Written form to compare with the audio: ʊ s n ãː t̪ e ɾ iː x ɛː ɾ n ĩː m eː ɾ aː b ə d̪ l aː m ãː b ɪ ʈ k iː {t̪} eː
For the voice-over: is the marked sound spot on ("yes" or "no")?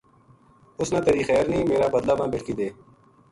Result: no